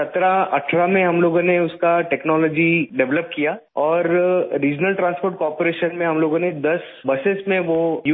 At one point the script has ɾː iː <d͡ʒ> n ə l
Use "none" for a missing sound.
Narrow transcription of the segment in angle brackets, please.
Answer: d͡ʒ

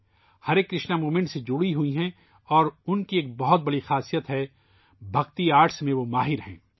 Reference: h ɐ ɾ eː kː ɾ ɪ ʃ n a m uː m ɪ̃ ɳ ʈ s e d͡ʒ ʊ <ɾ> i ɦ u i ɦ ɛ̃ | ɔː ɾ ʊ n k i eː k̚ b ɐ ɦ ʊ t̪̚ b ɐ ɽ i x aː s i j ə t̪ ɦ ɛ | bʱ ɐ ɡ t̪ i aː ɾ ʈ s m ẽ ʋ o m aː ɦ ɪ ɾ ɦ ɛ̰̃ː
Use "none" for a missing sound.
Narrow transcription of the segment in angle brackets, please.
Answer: ɽ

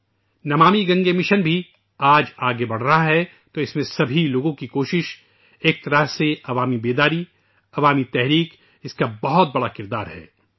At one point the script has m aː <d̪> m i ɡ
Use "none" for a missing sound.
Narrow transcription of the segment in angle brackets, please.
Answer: none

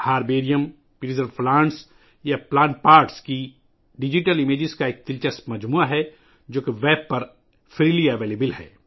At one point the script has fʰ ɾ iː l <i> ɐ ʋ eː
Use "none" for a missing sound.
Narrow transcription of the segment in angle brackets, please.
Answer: i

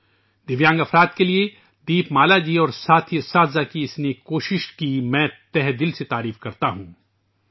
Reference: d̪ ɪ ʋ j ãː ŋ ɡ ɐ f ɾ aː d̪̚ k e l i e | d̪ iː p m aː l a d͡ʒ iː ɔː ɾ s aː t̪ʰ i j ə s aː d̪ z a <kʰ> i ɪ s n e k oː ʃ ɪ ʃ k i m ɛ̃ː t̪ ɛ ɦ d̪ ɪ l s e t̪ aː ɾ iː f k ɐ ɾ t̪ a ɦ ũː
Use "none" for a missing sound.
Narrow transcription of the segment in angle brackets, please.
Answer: k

